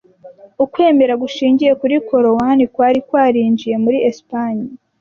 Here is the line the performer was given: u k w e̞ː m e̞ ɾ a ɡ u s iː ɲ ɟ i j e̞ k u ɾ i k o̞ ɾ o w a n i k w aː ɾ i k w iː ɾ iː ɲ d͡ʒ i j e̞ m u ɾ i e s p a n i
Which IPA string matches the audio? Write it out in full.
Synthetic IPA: u k w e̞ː m e̞ ɾ a ɡ u ʃ iː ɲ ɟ i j e̞ k u ɾ i k o̞ ɾ o w a n i k w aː ɾ i k w aː ɾ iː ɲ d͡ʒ i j e̞ m u ɾ i e s p a ɲ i